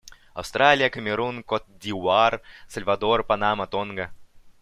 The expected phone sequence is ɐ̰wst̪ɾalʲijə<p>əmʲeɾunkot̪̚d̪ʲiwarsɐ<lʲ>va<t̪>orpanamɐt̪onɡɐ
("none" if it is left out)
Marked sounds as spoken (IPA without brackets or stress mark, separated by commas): k, lʲ, d̪